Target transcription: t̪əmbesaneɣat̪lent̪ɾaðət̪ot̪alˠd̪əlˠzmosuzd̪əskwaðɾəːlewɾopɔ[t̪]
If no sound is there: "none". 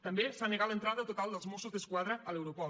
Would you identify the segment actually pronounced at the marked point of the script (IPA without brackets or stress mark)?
none